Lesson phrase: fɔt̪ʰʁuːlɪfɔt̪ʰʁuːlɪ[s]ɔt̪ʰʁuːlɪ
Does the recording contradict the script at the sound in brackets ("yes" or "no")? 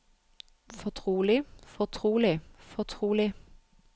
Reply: yes